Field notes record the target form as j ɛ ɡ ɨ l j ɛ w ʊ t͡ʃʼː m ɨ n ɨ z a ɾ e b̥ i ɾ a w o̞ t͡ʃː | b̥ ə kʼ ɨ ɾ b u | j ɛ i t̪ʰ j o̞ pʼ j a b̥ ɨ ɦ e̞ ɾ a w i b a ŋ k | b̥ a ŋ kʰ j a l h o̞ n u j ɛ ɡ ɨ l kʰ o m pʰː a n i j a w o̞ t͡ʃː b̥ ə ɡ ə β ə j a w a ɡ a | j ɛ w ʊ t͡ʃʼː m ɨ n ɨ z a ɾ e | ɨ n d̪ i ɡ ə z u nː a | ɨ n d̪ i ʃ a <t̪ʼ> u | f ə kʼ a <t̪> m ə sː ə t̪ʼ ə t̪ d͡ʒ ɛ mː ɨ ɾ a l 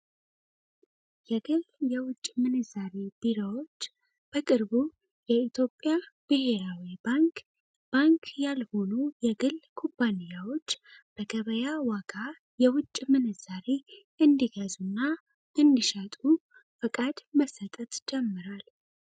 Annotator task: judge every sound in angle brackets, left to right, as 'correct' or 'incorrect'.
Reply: correct, incorrect

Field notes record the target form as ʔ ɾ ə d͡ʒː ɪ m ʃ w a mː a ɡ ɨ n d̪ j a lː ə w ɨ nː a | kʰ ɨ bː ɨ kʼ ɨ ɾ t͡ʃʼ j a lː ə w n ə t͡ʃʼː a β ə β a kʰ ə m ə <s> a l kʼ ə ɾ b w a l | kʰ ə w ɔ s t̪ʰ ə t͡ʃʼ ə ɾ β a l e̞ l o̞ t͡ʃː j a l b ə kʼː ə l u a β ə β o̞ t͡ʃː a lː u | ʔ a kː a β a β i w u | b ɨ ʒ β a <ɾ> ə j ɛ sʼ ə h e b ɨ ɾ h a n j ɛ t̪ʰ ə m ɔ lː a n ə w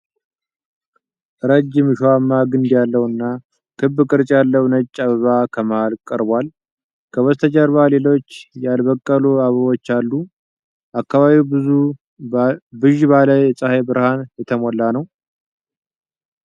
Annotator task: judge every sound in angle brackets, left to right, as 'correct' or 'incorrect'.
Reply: incorrect, incorrect

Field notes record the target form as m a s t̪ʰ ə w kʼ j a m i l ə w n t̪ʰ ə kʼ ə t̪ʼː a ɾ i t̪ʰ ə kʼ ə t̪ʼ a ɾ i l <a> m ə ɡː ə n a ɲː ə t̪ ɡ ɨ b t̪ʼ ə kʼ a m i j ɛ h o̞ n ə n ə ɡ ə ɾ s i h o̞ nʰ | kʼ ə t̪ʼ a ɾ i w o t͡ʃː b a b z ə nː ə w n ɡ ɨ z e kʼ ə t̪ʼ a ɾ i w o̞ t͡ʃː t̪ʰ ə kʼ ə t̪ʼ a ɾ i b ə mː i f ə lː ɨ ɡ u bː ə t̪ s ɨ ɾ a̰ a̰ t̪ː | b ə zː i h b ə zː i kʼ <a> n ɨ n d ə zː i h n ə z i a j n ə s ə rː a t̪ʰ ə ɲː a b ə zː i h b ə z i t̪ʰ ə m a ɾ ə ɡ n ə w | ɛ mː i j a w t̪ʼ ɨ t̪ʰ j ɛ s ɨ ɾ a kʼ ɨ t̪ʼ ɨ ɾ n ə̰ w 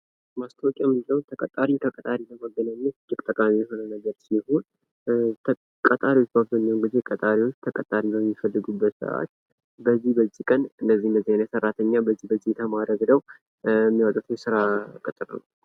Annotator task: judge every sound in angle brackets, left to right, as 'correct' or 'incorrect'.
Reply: incorrect, incorrect

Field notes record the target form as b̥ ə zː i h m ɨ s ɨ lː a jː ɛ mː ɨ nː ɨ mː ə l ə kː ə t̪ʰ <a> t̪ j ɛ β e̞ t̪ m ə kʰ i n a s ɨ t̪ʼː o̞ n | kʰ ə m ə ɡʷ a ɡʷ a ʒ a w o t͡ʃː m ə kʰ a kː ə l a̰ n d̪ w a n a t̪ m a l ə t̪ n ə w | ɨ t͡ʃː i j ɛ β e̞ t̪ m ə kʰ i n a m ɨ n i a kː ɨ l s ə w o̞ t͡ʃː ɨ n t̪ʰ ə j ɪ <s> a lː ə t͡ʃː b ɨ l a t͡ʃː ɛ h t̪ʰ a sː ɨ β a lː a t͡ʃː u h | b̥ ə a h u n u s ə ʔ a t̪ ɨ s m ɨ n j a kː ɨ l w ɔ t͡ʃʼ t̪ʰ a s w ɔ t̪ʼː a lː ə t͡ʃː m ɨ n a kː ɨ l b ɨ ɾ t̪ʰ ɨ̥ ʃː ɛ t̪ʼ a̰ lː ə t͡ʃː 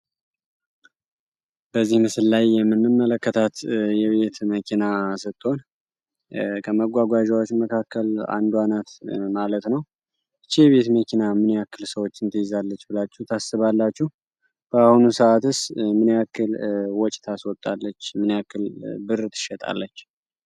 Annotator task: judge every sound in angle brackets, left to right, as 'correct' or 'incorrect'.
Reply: correct, incorrect

